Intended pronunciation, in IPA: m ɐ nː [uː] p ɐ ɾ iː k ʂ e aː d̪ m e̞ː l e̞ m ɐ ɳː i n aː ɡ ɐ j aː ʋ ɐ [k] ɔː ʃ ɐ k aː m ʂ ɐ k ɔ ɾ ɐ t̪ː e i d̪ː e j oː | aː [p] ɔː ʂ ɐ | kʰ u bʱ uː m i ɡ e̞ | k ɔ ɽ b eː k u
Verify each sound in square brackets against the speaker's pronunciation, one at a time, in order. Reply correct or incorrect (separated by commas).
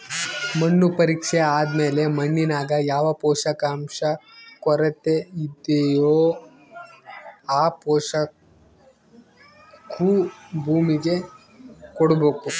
incorrect, incorrect, correct